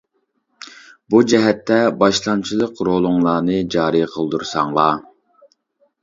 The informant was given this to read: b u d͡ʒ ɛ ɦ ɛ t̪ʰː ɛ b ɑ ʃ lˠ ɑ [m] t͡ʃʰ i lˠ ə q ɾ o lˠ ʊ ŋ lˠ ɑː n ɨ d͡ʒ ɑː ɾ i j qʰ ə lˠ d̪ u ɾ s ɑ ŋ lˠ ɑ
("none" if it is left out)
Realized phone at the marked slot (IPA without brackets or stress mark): n